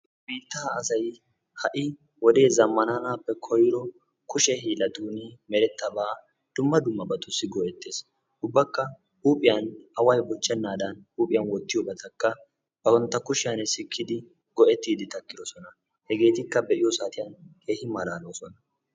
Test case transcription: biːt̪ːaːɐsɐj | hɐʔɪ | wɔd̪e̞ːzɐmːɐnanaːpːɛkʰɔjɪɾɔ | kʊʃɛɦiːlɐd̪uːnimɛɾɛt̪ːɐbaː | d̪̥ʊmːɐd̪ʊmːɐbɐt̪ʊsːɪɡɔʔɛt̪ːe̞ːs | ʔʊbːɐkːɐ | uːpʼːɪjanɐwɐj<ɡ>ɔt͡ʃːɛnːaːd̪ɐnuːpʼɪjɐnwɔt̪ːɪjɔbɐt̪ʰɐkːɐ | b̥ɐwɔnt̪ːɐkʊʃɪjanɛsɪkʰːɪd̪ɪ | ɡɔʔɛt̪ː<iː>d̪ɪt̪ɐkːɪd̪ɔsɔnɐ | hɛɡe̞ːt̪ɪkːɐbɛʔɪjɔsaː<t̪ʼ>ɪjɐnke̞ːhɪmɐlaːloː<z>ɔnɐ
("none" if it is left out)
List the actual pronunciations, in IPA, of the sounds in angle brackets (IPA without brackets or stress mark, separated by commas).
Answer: b, iː, t̪, s